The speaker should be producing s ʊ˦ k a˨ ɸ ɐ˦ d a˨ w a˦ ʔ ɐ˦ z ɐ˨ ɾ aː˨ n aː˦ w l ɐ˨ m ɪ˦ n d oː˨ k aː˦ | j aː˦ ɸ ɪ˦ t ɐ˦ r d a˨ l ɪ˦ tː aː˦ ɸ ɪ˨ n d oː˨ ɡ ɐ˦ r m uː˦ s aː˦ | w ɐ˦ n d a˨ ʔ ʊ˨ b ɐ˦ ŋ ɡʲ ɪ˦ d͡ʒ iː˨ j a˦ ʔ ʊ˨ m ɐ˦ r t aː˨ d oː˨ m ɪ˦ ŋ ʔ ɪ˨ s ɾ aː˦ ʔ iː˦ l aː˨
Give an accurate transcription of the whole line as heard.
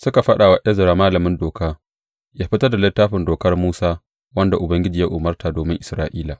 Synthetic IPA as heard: s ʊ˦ k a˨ ɸ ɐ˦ ɗ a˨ w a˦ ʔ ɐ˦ z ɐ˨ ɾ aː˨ m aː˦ l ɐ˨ m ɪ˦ n d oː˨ k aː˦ | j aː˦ ɸ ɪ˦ t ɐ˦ r d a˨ l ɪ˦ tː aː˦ ɸ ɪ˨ n d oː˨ k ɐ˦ r m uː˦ s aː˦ | w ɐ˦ n d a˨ ʔ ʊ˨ b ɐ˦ ŋ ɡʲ ɪ˦ d͡ʒ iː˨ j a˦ ʔ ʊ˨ m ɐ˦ r t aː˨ d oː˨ m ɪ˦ ŋ ʔ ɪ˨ s ɾ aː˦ ʔ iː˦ l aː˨